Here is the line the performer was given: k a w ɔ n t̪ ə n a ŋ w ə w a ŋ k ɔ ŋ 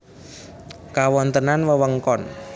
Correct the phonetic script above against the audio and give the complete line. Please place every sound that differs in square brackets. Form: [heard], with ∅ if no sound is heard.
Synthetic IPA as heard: k a w ɔ n t̪ ə n a [n] w ə w [ə] ŋ k ɔ [n]